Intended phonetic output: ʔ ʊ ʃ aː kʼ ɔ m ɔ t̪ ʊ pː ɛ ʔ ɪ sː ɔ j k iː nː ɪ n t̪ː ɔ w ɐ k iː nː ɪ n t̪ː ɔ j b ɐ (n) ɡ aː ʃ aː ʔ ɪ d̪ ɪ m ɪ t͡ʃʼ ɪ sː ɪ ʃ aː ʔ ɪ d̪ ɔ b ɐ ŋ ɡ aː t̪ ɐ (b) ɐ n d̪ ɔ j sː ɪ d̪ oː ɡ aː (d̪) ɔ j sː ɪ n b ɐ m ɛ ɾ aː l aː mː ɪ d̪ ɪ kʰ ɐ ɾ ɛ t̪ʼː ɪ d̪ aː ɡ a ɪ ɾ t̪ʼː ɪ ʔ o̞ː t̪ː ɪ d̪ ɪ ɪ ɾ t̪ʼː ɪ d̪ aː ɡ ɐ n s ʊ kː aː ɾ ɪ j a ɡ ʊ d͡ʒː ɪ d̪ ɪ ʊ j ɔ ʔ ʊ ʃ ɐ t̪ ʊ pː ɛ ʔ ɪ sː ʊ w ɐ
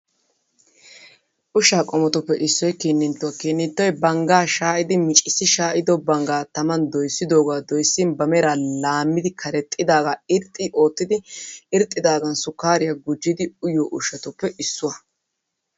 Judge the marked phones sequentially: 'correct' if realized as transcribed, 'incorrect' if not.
incorrect: ŋ, incorrect: m, correct

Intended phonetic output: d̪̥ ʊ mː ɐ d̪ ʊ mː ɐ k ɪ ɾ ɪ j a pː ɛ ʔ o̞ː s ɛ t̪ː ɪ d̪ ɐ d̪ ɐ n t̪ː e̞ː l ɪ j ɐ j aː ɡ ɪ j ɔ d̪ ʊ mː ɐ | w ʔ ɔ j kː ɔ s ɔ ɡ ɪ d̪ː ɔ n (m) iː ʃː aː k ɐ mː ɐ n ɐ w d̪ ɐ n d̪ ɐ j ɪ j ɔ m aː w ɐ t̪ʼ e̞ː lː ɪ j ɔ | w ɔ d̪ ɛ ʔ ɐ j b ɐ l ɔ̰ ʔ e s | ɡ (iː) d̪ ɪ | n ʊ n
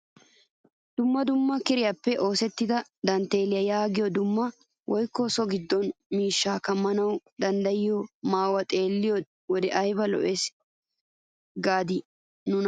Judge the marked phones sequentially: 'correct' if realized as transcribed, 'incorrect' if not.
correct, incorrect: aː

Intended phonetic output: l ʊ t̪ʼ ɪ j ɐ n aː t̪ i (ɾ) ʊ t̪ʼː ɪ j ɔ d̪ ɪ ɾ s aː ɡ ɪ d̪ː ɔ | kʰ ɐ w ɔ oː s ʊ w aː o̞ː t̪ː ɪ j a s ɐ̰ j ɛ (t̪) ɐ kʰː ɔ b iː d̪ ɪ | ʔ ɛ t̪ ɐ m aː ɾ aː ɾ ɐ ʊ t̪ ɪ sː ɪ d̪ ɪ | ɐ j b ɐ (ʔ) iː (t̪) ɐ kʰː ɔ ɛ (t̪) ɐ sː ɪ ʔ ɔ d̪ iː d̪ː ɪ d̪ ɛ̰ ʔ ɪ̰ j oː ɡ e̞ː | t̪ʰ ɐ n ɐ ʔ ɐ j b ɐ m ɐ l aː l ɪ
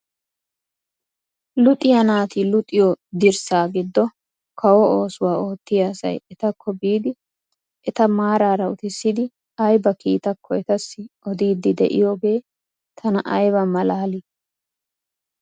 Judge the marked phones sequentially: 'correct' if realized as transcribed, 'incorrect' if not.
incorrect: l, correct, incorrect: k, correct, correct

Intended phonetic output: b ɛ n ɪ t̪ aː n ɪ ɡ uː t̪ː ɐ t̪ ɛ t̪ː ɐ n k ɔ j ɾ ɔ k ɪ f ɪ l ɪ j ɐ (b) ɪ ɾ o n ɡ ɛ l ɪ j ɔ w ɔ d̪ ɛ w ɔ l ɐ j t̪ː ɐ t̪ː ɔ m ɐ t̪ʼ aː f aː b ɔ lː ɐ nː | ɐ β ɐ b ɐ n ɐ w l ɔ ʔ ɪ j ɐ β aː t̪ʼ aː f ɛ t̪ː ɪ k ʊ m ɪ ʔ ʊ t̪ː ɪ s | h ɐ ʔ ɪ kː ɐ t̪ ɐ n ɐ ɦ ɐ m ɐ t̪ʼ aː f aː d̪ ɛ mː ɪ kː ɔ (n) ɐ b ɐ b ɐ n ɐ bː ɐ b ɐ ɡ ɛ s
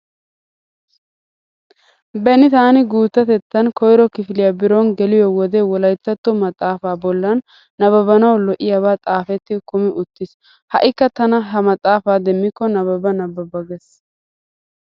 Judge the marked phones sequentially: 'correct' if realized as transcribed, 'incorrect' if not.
correct, correct

